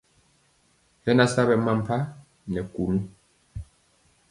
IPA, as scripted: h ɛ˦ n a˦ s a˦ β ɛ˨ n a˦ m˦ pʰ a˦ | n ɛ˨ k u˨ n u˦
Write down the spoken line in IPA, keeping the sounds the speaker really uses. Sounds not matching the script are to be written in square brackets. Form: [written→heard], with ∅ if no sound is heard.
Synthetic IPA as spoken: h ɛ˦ n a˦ s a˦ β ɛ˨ [n→m] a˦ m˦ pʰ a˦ | n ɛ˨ k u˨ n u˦